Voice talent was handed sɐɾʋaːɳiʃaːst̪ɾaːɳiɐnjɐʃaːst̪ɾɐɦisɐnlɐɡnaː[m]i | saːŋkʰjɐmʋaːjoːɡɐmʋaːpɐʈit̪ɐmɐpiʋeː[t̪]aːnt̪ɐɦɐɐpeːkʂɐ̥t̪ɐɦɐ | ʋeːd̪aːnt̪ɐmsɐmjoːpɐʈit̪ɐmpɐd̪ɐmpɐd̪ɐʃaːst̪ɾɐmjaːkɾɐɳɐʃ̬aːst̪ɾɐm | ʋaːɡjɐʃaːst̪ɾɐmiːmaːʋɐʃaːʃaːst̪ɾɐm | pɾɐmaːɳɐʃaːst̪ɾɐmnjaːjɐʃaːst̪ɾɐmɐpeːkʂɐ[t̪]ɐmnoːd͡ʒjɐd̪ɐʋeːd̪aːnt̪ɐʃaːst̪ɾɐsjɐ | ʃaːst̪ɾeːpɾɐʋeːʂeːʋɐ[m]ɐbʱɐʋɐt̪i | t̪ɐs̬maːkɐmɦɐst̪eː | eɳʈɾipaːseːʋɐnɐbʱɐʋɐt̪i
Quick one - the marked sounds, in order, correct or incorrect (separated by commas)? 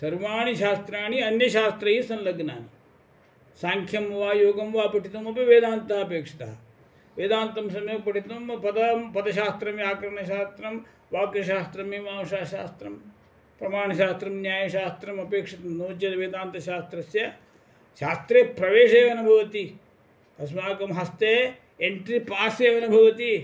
incorrect, incorrect, correct, incorrect